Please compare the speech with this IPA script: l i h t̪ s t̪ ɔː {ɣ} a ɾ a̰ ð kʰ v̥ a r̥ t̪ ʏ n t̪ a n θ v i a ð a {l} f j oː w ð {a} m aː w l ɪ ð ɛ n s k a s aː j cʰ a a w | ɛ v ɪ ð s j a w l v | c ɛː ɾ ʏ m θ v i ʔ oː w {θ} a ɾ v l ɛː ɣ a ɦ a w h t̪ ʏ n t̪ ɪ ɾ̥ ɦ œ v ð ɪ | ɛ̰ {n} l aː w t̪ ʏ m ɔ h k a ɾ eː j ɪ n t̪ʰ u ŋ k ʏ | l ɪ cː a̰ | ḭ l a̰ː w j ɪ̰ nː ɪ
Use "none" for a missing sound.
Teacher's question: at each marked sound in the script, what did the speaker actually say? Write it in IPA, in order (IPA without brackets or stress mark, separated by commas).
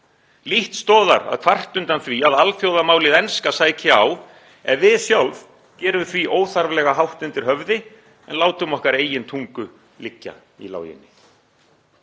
ð, l, a, θ, n